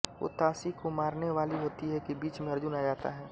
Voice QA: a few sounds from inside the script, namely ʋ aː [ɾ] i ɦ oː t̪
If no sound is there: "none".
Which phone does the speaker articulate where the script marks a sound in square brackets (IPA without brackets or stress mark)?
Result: l